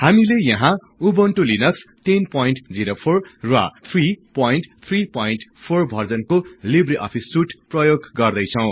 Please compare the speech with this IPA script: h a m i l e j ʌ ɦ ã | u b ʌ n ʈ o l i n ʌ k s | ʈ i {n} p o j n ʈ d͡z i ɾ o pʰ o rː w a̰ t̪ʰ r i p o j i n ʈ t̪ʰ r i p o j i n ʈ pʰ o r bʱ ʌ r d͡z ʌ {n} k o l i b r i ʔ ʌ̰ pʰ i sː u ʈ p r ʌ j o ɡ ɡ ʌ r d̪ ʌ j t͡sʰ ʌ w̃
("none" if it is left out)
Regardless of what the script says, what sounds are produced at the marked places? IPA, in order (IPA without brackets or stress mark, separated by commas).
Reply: n, n